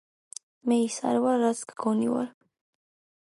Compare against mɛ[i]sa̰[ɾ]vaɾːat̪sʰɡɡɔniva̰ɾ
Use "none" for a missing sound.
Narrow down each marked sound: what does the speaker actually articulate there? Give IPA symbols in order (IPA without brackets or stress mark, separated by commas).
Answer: i, ɾ